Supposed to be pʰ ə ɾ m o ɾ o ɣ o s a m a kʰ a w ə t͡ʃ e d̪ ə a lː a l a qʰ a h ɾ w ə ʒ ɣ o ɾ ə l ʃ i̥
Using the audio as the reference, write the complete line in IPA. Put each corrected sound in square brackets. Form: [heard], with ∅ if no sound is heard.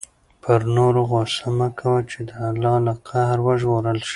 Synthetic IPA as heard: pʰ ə ɾ [n] o ɾ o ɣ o s a m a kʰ a w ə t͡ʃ e d̪ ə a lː [ɑ] l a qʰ a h ɾ w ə ʒ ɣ o ɾ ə l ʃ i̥

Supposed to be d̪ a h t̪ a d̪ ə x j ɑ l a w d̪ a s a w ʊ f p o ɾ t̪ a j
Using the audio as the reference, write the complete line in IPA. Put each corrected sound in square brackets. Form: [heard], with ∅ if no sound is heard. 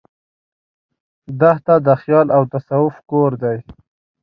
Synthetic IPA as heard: d̪ a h t̪ a d̪ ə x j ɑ l a w [t̪] a s a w ʊ f [k] o ɾ [d̪] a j

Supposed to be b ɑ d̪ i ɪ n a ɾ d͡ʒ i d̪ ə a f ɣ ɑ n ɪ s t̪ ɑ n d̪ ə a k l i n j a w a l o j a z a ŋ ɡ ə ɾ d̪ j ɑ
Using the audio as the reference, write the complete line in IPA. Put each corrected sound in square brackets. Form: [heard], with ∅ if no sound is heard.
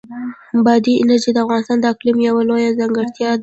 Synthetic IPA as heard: b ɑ d̪ i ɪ n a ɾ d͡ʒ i d̪ ə a f ɣ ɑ n ɪ s t̪ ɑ n d̪ ə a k l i [m] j a w a l o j a z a ŋ ɡ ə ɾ [t̪] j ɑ

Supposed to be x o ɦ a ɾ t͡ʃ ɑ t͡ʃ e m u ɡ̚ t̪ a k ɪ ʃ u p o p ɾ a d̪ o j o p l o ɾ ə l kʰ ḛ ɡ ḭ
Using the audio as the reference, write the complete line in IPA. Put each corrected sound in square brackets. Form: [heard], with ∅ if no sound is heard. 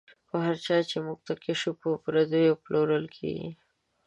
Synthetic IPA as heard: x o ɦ a ɾ t͡ʃ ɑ t͡ʃ e m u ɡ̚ t̪ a k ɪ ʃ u p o p ɾ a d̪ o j o p l o ɾ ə l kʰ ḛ ɡ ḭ

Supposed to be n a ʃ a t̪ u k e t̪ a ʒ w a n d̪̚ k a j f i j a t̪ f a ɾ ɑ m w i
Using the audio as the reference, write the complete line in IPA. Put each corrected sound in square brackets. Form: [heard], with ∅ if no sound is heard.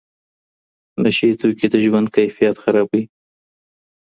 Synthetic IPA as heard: n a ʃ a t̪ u k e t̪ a ʒ w a n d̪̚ k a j f i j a t̪ [x] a ɾ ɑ [b] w i

